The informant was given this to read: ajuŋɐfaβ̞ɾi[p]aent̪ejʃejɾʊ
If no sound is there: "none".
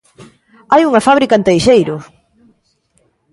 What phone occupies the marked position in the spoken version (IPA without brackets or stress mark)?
k